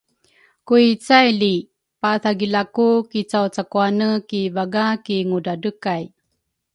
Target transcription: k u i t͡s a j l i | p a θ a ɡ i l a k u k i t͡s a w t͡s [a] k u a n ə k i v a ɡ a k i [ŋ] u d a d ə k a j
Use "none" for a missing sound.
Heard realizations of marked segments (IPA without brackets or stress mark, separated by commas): a, ŋ